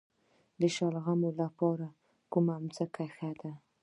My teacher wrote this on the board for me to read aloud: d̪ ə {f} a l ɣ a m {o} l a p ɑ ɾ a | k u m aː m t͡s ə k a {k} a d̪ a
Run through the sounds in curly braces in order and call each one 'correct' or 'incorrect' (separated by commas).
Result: incorrect, correct, incorrect